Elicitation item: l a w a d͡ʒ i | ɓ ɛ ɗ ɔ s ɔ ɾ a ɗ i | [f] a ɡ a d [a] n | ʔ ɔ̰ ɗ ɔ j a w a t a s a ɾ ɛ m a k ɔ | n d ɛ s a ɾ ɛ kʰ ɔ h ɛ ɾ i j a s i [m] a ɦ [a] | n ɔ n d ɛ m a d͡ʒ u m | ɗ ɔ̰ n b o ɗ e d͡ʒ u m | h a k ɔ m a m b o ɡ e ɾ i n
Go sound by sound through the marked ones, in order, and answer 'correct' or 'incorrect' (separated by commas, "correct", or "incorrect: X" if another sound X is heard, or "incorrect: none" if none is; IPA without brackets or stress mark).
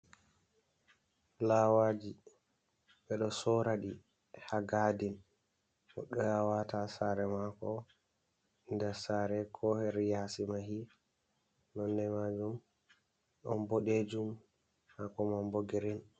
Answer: incorrect: h, incorrect: i, correct, incorrect: i